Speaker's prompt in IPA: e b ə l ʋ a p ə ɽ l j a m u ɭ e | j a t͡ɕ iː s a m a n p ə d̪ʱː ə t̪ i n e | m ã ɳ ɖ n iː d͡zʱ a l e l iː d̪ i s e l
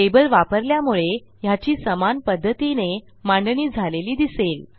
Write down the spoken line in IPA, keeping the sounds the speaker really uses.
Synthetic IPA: e b ə l ʋ a p ə ɾ l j a m u ɭ e | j a t͡ɕ iː s ə m a n p ə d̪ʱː ə t̪ i n e | m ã ɳ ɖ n iː d͡zʱ a l e l iː d̪ i s e l